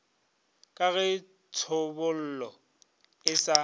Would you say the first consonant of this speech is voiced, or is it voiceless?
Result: voiceless